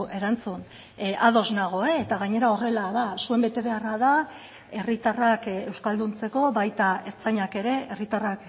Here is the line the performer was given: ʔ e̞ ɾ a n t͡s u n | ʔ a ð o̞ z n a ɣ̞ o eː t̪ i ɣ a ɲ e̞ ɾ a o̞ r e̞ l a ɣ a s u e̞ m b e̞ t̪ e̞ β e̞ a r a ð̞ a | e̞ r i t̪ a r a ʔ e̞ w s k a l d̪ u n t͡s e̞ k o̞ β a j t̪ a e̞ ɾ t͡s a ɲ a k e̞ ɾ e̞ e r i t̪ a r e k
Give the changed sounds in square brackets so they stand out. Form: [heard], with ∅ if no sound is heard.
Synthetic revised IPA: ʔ e̞ ɾ a n t͡s u n | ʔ a ð o̞ z n a ɣ̞ o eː t̪ [a] ɣ a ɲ e̞ ɾ a o̞ r e̞ l a [ð] a s u e̞ m b e̞ t̪ e̞ β e̞ a r a ð̞ a | e̞ r i t̪ a r a [k] e̞ w s k a l d̪ u n t͡s e̞ k o̞ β a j t̪ a e̞ ɾ t͡s a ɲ a k e̞ ɾ e̞ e r i t̪ a r [a] k